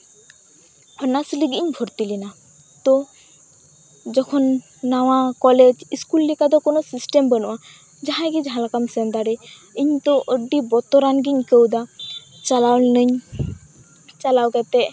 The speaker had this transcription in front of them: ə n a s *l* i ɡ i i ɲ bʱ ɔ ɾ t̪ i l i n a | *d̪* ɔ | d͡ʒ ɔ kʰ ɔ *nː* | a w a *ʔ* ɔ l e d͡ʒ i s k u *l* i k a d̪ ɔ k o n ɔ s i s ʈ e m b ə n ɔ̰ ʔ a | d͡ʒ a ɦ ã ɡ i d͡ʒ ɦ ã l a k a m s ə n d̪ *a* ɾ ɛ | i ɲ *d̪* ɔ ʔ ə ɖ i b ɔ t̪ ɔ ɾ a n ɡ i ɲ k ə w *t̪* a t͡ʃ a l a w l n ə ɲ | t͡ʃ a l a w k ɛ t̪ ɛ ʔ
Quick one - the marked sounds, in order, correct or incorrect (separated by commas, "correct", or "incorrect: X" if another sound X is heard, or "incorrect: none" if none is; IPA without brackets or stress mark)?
correct, incorrect: t̪, correct, incorrect: k, incorrect: lː, correct, incorrect: t̪, incorrect: d̪